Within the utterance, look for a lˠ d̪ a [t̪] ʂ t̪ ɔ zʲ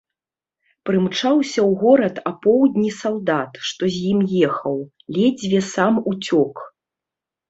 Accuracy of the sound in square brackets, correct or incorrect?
correct